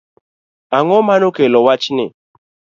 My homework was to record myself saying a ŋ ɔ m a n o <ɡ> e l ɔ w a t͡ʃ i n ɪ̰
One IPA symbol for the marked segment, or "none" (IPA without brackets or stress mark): k